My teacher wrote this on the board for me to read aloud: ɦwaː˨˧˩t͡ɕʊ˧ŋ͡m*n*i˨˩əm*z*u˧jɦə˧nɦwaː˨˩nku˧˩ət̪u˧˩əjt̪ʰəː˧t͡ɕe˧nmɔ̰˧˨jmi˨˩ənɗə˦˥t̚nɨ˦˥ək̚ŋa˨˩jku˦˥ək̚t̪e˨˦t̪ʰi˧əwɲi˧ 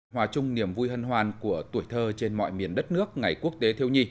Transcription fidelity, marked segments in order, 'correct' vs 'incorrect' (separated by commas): correct, incorrect